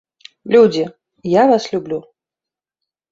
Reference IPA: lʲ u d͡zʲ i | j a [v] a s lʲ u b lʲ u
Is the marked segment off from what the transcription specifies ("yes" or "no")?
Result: no